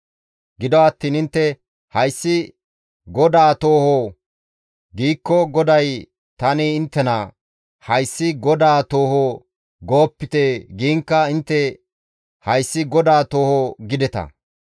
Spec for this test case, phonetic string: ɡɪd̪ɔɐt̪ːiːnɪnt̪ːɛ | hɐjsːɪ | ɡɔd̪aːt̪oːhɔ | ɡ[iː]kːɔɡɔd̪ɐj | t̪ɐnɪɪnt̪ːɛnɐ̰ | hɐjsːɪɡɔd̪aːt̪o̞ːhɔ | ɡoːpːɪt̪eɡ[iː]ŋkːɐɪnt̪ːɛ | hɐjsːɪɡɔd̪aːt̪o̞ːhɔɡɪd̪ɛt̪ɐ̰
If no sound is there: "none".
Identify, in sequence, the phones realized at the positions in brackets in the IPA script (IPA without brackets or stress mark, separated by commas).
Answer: iː, iː